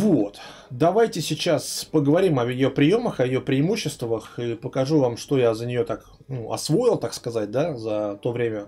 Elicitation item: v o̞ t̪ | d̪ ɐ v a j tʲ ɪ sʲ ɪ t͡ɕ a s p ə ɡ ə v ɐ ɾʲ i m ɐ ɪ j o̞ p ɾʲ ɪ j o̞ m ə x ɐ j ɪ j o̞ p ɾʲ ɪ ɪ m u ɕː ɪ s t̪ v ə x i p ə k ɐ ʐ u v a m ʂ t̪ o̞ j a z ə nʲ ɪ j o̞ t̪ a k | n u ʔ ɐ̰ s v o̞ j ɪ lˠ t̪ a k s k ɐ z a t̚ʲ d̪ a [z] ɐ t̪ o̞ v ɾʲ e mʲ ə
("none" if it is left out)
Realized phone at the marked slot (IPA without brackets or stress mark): z